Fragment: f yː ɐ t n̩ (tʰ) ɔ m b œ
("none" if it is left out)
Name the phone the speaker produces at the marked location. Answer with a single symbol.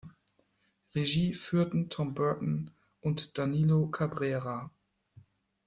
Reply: tʰ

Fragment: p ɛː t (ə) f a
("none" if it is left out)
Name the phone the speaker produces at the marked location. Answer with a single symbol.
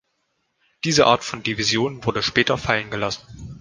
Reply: ɐ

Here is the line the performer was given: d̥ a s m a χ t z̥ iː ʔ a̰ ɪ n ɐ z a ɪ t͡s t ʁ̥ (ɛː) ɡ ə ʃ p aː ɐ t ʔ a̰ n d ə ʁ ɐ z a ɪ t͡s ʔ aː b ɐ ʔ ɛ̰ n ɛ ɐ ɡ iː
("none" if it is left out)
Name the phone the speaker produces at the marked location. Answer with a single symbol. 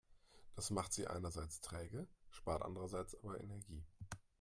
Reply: ɛː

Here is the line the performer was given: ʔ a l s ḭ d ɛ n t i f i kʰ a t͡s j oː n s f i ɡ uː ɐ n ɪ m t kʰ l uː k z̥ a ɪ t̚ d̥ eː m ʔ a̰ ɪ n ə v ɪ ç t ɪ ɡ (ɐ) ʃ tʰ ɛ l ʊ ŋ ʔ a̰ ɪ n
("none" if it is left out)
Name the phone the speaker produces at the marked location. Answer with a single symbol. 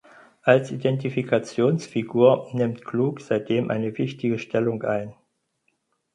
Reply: ə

